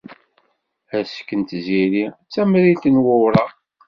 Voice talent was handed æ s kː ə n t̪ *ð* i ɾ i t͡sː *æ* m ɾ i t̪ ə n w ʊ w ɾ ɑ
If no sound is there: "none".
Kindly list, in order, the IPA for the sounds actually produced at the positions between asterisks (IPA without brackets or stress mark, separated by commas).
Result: z, æ